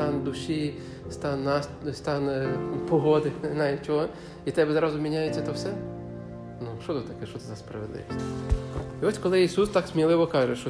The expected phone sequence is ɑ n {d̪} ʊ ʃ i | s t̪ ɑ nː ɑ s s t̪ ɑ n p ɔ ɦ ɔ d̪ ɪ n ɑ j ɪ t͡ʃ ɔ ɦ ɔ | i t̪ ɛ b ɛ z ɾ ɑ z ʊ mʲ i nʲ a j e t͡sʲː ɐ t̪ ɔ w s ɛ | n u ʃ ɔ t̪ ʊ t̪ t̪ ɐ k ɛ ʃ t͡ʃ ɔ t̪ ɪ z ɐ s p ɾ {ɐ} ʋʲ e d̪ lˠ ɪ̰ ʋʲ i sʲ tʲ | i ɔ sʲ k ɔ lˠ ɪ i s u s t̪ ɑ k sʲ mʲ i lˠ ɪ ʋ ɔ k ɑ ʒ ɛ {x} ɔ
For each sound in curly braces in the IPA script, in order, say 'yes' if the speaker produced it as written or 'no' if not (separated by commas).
yes, yes, no